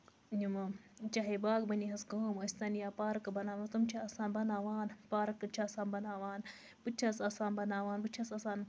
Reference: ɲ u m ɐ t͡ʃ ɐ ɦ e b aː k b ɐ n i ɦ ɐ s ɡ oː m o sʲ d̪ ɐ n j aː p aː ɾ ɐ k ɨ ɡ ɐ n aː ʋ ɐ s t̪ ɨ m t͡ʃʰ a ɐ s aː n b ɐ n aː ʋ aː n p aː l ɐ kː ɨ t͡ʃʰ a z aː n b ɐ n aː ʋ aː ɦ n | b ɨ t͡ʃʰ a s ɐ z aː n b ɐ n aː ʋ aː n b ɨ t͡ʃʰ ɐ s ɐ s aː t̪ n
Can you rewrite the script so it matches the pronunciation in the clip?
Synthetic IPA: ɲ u m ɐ t͡ʃ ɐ ɦ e b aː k b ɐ n i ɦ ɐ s ɡ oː m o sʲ t̪ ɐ n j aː p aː ɾ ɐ k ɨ b ɐ n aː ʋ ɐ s t̪ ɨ m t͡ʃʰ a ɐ s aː n b ɐ n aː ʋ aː n p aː ɾ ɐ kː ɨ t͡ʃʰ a s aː n b ɐ n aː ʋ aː n | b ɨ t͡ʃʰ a s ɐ s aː n b ɐ n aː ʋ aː n b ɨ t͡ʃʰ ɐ s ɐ s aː n